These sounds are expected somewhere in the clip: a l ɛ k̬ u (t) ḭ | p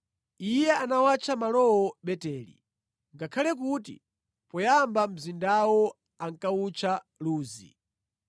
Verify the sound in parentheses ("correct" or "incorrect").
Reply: correct